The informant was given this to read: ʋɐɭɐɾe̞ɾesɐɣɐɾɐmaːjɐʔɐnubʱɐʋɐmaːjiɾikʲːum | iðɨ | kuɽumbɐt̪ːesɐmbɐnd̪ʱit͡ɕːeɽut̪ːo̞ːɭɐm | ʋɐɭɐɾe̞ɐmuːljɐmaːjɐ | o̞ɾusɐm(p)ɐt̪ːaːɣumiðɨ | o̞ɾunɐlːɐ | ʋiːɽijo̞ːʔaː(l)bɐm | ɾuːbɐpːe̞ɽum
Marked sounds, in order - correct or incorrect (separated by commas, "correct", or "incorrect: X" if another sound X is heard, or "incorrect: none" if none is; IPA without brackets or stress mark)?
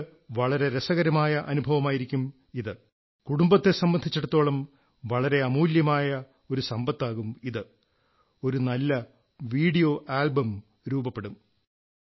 incorrect: b, correct